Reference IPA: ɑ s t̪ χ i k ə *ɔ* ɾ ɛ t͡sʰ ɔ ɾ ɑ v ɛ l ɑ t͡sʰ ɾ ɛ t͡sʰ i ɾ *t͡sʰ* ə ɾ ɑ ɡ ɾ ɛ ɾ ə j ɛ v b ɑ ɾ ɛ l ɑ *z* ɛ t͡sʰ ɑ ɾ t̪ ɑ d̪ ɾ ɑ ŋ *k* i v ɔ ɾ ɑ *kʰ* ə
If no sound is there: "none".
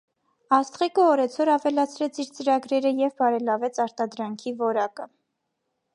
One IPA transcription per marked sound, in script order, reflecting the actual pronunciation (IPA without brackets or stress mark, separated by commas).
ɔ, t͡s, v, kʰ, k